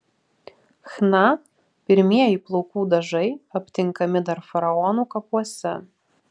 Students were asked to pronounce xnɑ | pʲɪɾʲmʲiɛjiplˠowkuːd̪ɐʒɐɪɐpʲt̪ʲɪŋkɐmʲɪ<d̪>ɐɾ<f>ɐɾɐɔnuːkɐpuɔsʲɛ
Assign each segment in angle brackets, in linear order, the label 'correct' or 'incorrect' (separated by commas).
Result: correct, correct